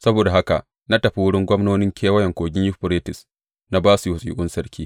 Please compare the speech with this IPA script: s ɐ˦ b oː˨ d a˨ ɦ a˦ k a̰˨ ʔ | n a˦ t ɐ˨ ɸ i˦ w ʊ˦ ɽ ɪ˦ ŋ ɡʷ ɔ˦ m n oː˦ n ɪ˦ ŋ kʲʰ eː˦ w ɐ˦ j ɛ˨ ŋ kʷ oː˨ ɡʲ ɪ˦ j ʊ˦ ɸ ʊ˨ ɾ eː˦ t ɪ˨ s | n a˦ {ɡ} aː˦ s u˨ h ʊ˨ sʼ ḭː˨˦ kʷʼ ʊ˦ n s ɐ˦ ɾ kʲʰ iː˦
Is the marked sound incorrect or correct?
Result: incorrect